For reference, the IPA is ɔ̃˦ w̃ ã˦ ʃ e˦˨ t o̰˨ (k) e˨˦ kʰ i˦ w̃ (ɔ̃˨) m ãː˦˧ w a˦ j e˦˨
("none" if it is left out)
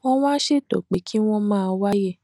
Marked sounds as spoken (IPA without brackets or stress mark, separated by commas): k͡p, ɔ̃˦